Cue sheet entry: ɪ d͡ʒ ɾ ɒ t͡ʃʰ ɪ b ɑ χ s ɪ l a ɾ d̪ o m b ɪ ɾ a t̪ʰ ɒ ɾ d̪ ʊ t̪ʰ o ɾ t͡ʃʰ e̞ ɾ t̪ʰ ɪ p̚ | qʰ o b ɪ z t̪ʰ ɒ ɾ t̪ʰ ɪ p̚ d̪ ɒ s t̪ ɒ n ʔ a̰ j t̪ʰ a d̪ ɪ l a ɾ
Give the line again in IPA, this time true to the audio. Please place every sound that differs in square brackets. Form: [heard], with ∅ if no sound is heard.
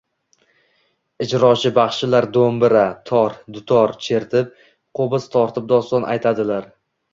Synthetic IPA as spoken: ɪ d͡ʒ ɾ ɒ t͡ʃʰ ɪ b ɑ χ [ʃ] ɪ l a ɾ d̪ o m b ɪ ɾ a t̪ʰ ɒ ɾ d̪ ʊ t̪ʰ [ɒ] ɾ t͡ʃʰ e̞ ɾ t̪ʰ ɪ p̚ | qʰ o b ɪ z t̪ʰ ɒ ɾ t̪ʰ ɪ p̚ d̪ ɒ s t̪ ɒ n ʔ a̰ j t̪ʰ a d̪ ɪ l a ɾ